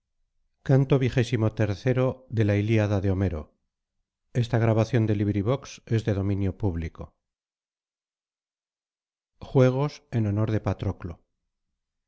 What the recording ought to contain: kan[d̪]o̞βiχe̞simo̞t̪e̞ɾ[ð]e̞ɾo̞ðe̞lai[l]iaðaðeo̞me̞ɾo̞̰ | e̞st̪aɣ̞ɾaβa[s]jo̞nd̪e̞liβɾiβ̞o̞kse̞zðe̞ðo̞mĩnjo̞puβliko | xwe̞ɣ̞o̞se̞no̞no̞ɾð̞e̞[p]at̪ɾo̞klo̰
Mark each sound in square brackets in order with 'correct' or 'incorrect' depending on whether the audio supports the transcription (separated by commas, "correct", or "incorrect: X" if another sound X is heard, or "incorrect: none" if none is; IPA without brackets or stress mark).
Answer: incorrect: t̪, incorrect: θ, correct, incorrect: θ, correct